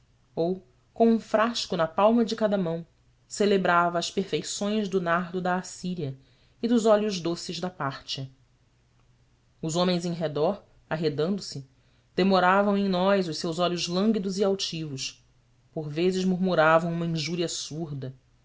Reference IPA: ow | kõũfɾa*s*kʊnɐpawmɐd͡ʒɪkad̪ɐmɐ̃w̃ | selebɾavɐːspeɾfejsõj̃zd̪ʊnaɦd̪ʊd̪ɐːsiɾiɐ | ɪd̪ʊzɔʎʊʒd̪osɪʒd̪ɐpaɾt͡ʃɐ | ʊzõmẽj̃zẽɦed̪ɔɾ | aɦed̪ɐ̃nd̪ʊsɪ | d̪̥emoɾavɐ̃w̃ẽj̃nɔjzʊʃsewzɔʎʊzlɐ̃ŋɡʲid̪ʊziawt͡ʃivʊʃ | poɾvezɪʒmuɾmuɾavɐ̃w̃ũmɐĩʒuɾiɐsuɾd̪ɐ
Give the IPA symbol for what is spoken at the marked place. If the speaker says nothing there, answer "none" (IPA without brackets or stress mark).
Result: ʃ